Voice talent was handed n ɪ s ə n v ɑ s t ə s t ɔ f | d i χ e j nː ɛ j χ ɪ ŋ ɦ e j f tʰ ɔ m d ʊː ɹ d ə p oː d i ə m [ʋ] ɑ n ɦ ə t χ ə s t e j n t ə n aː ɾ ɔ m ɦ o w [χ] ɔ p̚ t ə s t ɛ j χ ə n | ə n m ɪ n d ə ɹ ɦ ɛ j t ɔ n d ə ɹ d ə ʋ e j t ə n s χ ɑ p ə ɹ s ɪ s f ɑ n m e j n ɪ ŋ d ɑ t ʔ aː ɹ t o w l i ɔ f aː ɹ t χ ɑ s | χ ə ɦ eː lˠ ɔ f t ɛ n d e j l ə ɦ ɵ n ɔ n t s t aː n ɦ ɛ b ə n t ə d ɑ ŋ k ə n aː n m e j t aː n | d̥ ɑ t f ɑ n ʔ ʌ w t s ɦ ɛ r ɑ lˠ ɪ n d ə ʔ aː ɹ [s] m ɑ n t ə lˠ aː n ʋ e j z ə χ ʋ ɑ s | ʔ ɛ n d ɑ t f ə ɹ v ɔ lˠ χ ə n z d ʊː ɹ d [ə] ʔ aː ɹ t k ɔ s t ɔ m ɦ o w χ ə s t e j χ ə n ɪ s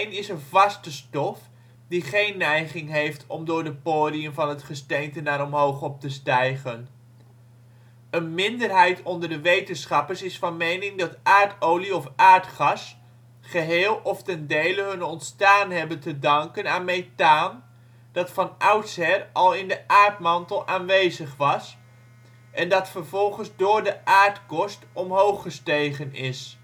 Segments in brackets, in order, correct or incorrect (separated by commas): incorrect, correct, incorrect, correct